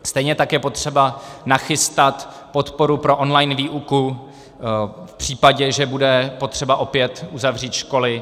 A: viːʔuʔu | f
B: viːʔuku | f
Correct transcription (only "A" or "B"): B